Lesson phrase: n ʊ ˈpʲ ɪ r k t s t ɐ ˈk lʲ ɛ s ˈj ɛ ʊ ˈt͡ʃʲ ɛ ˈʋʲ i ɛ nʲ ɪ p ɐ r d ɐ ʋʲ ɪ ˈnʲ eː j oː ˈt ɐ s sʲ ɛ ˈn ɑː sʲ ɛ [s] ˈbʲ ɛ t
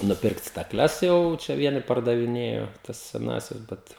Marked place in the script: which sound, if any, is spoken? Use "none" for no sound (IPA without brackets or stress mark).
s